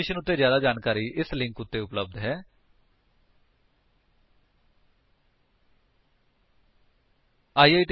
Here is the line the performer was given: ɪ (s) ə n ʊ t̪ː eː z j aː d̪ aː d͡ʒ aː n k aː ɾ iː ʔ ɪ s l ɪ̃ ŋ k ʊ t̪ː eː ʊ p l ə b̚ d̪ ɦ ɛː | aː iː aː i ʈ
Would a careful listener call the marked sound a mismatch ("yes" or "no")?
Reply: yes